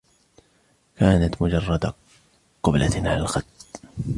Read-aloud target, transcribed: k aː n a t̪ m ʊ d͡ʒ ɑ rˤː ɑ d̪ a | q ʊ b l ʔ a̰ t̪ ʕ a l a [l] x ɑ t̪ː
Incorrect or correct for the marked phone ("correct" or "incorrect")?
correct